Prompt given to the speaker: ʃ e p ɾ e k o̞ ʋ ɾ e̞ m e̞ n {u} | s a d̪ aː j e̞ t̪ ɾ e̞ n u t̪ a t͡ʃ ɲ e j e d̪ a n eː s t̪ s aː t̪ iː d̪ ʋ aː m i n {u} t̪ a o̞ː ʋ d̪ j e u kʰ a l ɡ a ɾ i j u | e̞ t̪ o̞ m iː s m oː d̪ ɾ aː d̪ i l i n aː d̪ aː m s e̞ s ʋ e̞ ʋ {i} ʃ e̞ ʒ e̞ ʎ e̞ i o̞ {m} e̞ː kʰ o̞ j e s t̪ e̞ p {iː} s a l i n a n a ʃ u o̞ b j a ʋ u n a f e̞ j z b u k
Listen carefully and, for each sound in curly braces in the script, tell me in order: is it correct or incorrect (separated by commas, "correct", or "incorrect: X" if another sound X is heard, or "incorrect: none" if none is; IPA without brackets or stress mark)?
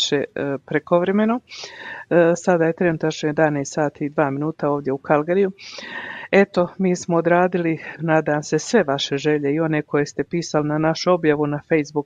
incorrect: o, incorrect: uː, incorrect: a, incorrect: n, correct